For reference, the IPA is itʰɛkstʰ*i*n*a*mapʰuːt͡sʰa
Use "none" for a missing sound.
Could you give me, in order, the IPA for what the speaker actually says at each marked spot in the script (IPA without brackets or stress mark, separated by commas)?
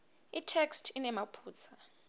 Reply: i, ɛ